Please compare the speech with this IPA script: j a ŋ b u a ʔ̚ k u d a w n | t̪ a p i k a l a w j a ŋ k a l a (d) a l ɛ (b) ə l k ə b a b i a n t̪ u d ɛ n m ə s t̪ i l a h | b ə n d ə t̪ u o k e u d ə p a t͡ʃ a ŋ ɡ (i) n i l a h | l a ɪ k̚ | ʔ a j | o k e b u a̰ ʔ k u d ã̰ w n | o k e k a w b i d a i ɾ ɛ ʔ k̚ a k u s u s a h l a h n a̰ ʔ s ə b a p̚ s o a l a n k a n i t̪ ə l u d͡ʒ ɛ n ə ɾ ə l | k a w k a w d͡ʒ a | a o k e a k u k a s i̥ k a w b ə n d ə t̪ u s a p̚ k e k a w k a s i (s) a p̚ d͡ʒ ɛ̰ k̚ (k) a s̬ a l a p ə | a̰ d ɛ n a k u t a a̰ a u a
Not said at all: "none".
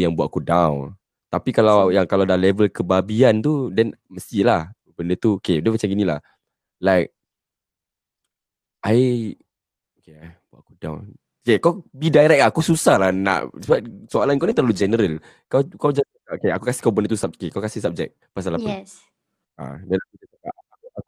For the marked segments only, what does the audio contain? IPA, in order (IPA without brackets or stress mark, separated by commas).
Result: d, v, i, s, p